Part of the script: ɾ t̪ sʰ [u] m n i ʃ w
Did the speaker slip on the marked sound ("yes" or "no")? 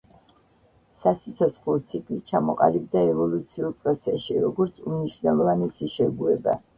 no